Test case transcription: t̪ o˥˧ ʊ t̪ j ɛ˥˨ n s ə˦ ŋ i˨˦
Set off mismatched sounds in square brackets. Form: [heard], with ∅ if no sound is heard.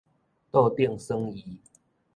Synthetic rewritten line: t̪ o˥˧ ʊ t̪ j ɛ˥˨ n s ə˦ ŋ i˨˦